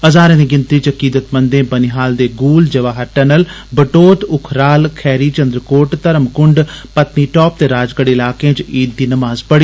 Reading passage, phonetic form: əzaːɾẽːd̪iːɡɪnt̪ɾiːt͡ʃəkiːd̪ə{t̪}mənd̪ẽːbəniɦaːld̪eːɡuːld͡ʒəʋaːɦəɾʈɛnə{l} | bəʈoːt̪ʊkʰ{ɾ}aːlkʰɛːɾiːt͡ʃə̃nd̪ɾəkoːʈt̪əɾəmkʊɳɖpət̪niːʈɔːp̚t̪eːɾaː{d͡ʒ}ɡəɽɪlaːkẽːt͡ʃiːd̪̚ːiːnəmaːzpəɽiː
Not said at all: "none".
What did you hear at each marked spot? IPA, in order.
t̪, l, ɾ, d͡ʒ

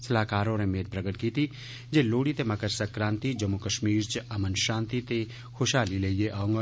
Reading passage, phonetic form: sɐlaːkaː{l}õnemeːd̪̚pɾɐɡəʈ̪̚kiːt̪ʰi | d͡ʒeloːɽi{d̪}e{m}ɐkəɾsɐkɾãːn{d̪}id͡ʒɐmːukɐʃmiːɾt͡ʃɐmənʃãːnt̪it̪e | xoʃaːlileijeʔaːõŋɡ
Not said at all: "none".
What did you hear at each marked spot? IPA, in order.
ɾ, t̪, m, t̪

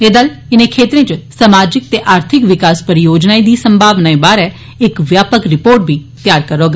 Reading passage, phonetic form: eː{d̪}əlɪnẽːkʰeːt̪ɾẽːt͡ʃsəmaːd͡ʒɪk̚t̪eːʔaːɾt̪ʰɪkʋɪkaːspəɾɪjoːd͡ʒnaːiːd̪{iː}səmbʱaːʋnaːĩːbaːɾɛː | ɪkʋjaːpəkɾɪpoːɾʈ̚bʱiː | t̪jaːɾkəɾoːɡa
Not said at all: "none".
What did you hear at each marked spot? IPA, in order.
d̪, iː

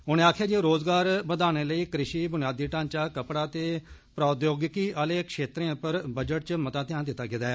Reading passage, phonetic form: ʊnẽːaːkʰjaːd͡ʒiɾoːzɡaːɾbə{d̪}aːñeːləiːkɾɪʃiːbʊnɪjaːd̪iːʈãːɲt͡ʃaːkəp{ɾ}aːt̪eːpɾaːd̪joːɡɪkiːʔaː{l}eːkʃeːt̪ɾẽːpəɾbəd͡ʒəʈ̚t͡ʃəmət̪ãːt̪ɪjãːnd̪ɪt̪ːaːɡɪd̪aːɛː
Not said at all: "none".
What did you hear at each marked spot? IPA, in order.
d̪, ɽ, l

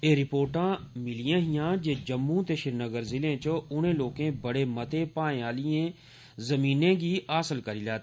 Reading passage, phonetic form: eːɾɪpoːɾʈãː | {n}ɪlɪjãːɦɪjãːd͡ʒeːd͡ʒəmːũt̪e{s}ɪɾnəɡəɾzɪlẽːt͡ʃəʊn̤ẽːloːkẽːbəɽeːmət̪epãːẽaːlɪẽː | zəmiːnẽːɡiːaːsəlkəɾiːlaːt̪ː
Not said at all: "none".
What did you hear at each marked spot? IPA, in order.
m, ʃ

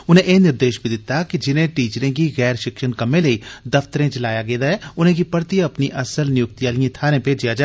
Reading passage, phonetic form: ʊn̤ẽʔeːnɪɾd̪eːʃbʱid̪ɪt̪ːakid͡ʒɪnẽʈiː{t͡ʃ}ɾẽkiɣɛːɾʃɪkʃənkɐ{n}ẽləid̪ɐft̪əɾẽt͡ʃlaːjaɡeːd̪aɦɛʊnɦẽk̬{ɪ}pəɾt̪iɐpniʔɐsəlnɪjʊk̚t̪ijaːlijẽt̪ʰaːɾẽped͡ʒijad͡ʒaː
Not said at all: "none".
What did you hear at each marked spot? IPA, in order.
t͡ʃ, m, i

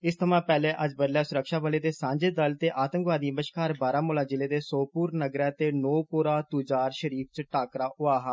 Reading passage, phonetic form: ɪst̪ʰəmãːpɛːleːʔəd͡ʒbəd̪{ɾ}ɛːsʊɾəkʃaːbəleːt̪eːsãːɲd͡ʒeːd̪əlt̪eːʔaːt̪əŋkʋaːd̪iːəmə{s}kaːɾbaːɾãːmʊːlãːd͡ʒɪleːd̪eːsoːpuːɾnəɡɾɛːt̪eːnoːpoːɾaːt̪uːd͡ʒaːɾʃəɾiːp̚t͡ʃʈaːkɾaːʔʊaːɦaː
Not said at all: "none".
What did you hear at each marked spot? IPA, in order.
l, ʃ

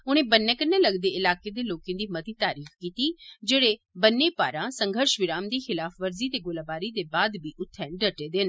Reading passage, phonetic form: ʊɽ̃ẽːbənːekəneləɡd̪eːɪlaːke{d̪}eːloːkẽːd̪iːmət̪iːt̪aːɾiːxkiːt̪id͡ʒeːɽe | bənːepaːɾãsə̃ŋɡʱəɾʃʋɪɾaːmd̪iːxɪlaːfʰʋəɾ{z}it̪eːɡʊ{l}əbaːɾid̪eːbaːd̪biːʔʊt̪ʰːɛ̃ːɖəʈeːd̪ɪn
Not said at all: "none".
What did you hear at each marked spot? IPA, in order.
d̪, z, l

